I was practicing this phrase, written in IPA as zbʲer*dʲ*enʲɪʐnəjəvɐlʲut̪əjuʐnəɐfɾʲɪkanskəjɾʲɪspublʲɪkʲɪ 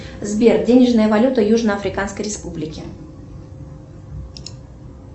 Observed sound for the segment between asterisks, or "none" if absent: dʲ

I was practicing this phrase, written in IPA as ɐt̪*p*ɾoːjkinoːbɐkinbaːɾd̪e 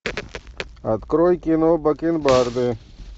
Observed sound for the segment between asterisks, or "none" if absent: k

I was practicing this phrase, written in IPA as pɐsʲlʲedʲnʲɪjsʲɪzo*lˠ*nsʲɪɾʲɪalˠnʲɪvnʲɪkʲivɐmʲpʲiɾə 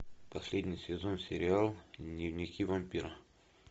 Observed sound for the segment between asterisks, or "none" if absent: none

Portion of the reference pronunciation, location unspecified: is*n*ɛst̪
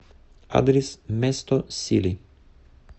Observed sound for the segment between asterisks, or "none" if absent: m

